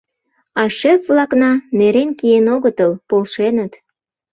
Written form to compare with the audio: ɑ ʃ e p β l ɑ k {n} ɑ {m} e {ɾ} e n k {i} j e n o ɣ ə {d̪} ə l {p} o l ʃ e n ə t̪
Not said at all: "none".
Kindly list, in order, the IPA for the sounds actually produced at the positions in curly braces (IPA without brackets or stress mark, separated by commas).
n, n, ɾ, i, t̪, p